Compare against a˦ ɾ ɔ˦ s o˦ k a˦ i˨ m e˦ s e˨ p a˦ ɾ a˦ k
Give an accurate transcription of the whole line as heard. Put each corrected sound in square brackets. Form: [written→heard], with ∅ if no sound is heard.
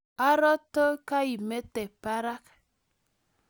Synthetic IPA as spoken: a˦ ɾ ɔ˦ [s→t] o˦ k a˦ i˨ m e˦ [s→t] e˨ p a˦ ɾ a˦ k

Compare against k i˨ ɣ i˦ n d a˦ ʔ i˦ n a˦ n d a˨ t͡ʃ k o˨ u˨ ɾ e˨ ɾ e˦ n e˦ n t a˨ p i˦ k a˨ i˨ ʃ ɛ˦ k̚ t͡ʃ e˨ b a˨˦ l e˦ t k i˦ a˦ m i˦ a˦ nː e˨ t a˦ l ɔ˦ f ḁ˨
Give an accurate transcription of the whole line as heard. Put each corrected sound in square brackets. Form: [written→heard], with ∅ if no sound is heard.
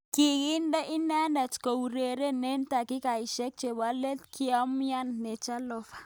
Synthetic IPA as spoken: k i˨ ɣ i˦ n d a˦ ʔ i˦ n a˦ n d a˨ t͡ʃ k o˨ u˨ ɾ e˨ ɾ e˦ n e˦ n t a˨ [p→k] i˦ k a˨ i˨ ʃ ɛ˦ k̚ t͡ʃ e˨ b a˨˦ l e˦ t k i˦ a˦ m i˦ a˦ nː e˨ [t→t͡ʃ] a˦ l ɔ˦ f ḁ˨

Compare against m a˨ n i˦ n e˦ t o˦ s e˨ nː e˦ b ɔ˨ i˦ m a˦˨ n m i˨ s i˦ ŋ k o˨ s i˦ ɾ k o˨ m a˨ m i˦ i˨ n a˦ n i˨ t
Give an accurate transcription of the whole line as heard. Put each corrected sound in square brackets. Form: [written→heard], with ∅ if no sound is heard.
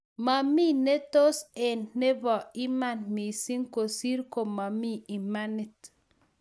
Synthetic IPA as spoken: m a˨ [n→m] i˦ n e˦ t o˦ s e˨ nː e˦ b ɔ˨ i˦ m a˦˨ n m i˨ s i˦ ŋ k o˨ s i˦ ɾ k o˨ m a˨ m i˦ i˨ [n→m] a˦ n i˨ t

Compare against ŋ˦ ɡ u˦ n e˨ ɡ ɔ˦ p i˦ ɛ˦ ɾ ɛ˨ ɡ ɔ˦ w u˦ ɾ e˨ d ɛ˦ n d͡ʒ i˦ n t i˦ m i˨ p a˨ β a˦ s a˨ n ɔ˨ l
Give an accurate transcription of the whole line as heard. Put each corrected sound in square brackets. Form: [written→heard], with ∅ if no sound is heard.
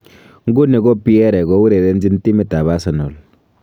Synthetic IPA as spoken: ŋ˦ ɡ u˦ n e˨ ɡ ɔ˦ p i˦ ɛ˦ ɾ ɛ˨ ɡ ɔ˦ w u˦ ɾ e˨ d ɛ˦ n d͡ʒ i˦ n t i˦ m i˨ [p→t] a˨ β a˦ s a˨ n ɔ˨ l

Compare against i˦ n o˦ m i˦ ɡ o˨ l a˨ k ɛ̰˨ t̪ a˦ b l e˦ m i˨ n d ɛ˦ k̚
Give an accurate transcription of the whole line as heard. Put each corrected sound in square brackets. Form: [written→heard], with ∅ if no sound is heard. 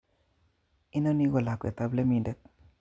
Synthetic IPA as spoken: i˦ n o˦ [m→n] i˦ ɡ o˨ l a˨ k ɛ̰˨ t̪ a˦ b l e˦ m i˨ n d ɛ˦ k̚

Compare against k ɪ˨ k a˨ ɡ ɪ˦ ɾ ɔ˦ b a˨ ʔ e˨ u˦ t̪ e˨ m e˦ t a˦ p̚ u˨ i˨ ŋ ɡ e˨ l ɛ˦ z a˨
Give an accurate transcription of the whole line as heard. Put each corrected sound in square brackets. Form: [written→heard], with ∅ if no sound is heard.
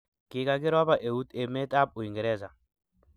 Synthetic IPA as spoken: k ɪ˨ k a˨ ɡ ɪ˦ ɾ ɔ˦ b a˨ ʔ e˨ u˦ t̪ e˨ m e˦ t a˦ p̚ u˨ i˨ ŋ ɡ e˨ [l→ɾ] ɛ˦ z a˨

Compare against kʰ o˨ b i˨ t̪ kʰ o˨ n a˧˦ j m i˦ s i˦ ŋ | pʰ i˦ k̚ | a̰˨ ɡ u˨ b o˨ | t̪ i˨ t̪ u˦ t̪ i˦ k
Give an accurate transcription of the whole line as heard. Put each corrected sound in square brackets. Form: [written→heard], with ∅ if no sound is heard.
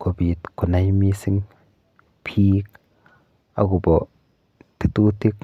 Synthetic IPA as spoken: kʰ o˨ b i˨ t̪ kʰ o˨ n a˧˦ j m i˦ s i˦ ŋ | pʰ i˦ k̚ | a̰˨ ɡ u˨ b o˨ | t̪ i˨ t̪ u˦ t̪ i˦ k

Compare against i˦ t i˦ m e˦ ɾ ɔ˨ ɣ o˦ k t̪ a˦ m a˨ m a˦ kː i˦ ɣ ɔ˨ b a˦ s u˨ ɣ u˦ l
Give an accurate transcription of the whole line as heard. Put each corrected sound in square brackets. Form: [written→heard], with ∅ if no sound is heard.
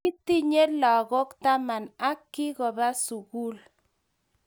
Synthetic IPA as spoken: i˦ t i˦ [m→ɲ] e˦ [ɾ→l] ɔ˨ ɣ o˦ k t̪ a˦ m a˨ [m→n] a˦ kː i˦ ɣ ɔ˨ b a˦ s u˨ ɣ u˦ l

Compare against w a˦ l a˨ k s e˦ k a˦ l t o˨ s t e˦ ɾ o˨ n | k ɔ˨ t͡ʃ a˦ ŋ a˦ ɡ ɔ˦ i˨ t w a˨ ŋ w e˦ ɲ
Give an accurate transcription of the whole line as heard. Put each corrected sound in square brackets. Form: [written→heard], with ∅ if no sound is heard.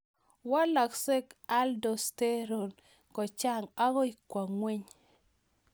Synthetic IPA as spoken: w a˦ l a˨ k s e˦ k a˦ l [t→d] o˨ s t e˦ ɾ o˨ n | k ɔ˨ t͡ʃ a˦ ŋ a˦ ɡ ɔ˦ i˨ [t→k] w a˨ ŋ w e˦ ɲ

